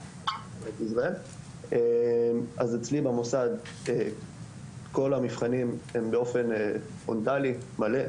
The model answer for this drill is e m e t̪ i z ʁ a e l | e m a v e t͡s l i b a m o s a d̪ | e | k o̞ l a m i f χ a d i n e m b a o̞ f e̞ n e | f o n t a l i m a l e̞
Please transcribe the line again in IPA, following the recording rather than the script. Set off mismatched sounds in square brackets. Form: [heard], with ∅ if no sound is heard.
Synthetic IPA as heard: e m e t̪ i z ʁ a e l | e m a [z] e t͡s l i b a m o s a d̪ | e | k o̞ l a m i f χ a [n] i [m] e m b [e] o̞ f e̞ n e | f o n t a l i m a l e̞